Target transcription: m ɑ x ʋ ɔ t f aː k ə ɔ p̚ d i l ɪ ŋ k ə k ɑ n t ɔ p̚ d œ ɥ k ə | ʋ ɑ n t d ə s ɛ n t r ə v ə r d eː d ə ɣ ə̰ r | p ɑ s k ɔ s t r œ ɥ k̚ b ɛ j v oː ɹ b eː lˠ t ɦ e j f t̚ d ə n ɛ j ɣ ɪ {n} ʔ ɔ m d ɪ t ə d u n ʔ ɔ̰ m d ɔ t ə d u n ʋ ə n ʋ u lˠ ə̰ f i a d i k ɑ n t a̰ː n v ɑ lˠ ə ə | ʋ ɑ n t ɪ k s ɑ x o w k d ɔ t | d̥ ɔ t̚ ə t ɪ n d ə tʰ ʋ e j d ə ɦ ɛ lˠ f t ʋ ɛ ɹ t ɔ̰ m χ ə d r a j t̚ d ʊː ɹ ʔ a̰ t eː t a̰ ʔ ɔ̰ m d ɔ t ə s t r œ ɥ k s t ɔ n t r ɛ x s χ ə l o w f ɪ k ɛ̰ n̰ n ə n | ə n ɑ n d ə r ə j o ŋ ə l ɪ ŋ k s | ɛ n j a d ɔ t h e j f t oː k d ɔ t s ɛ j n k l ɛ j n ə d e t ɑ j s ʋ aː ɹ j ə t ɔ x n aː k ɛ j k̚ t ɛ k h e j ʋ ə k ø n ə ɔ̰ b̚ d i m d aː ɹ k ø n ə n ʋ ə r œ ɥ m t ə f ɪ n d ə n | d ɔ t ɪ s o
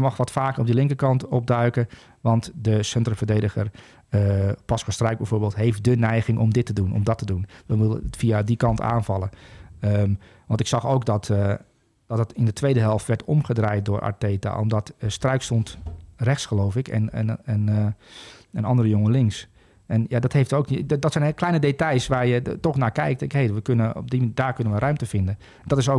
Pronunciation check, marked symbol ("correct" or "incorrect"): incorrect